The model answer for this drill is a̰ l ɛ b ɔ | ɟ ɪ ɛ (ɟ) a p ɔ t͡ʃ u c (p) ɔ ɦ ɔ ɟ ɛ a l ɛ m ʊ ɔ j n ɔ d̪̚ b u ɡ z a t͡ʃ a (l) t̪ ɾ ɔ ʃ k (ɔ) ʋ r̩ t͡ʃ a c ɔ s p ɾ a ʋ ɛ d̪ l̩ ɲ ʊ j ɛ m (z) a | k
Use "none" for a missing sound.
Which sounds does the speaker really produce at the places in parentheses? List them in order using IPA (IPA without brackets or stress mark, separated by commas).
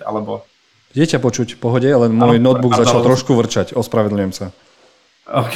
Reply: c, p, l, u, s